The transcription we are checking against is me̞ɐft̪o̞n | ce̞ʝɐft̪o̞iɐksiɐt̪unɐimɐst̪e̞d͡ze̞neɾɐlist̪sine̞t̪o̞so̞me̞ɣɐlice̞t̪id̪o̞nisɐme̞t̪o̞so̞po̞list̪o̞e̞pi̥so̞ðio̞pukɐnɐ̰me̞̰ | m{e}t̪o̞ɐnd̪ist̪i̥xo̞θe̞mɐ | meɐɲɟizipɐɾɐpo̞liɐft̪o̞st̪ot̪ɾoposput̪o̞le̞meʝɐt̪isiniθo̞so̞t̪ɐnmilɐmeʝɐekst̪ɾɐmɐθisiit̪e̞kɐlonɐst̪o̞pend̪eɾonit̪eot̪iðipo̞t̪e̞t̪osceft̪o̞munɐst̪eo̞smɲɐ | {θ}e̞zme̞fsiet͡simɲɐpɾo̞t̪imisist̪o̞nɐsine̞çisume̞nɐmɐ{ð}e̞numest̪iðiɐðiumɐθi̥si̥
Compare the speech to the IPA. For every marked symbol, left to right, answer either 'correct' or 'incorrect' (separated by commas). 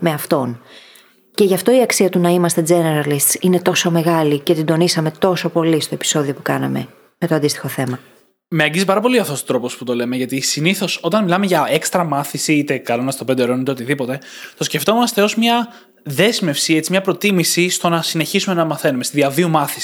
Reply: correct, incorrect, incorrect